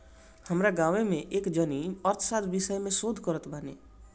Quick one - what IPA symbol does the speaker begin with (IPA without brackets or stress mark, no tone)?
h